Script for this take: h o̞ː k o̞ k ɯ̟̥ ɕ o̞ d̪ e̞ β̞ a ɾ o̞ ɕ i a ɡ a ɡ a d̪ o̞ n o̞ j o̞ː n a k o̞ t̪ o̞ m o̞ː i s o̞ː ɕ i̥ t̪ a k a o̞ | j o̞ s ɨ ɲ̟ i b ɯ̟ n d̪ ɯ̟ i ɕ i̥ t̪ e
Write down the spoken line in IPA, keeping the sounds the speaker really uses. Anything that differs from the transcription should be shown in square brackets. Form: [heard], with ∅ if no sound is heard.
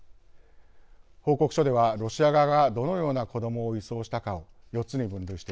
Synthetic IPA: h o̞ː k o̞ k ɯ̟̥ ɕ o̞ d̪ e̞ β̞ a ɾ o̞ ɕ i a ɡ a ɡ a d̪ o̞ n o̞ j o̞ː n a k o̞ [d̪] o̞ m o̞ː i s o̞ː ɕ i̥ t̪ a k a o̞ | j o̞ [t͡s] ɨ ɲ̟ i b [ɯ̟̃] n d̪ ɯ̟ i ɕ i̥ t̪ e